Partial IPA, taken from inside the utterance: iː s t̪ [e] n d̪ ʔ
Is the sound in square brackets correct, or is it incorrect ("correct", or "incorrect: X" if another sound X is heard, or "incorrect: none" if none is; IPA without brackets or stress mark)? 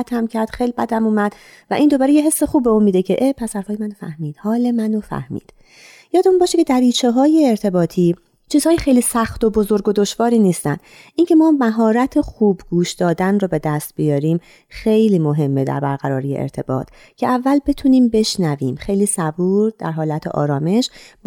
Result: incorrect: æ